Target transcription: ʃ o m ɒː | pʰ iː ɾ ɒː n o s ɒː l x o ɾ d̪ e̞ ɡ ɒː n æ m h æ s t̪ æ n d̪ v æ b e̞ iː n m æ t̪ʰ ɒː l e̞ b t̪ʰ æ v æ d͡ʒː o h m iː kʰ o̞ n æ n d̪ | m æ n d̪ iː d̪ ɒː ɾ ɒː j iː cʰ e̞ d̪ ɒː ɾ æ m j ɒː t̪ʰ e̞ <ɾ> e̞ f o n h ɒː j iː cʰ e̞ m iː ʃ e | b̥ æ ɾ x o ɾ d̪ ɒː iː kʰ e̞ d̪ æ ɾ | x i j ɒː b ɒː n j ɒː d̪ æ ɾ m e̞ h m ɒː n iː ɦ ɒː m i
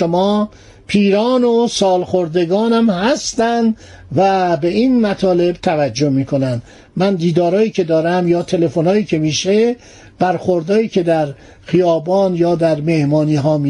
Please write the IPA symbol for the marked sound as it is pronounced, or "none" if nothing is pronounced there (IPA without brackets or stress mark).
l